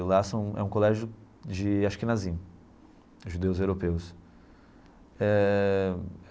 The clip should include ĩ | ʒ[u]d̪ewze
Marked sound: correct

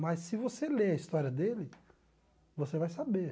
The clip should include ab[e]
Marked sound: correct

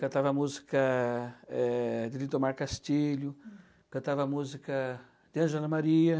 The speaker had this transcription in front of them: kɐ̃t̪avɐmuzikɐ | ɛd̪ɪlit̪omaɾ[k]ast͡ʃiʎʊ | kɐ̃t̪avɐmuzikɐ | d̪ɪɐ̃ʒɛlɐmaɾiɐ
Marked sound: correct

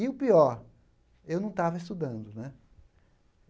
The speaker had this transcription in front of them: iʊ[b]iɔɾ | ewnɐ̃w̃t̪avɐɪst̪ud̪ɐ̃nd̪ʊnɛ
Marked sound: incorrect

